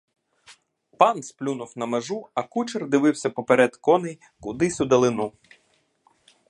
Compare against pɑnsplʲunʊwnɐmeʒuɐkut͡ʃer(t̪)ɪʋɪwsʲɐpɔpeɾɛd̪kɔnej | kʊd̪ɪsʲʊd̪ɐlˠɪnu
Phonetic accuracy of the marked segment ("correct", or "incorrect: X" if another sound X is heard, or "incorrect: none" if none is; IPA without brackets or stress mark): incorrect: d̪